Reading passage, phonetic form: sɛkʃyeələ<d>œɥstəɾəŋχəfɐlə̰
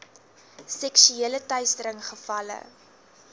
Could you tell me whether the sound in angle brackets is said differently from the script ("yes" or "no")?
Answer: yes